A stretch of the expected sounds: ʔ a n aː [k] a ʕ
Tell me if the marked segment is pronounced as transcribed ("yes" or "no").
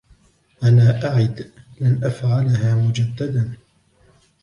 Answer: no